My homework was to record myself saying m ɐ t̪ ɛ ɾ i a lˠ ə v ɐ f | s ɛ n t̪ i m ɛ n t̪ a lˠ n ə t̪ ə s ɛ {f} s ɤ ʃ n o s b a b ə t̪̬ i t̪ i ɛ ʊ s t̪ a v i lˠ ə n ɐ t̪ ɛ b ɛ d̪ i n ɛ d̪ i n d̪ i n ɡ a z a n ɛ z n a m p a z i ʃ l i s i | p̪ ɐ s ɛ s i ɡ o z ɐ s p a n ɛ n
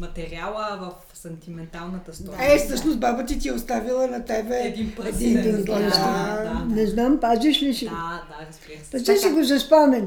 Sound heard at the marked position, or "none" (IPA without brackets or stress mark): f